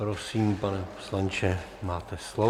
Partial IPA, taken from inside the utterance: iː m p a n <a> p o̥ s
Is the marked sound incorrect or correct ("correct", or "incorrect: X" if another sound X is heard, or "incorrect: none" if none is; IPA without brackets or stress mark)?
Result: incorrect: ɛ